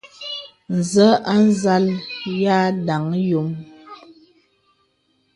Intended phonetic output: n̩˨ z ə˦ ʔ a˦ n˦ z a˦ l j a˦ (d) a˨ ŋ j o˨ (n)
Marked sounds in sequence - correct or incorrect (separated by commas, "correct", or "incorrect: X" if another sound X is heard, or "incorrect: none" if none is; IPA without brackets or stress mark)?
correct, incorrect: m